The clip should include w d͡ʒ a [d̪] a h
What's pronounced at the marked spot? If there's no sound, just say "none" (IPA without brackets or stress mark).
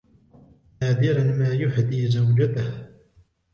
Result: t̪